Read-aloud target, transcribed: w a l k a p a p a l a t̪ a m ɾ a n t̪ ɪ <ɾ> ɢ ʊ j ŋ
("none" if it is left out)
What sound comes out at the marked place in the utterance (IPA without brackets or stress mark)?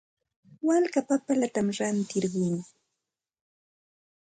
ɾ